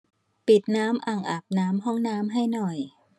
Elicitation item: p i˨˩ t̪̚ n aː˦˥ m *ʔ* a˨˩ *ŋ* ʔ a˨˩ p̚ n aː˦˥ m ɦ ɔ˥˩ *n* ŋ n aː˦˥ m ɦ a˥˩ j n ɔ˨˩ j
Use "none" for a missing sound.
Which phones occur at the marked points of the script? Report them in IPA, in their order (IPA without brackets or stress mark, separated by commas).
ʔ, ŋ, none